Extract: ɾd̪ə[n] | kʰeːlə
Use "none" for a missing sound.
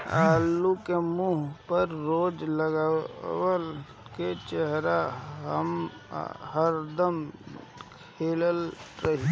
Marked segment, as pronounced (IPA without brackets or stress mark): m